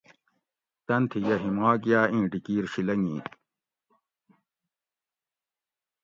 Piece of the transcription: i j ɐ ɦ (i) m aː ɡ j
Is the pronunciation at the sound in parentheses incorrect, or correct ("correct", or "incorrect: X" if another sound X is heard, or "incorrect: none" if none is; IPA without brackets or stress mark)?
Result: correct